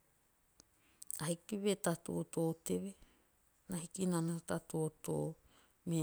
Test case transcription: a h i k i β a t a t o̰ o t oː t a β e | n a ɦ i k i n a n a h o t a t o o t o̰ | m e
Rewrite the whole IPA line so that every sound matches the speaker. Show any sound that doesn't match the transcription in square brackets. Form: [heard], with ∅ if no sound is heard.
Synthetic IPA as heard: a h i k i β [e] t a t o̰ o t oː t [e] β e | n a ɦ i k i n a n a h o t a t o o t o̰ | m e